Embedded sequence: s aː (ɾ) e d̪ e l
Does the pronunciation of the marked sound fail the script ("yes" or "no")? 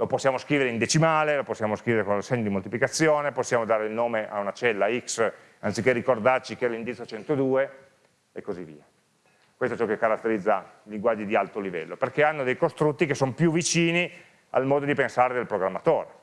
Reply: no